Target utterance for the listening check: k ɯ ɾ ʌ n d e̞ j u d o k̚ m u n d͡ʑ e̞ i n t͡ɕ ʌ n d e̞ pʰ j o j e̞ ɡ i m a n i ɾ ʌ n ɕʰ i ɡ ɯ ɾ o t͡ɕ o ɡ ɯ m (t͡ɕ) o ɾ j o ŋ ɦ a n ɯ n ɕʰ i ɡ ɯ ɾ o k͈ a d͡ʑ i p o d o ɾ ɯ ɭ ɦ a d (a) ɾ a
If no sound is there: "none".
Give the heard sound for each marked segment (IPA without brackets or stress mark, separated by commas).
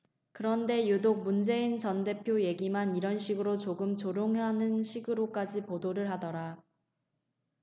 t͡ɕ, ʌ